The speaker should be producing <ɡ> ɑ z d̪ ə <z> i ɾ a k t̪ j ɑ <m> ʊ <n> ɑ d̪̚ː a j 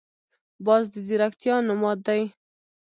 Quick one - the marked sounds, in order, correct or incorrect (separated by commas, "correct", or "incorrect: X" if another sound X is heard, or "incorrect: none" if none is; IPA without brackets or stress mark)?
incorrect: b, correct, incorrect: n, incorrect: m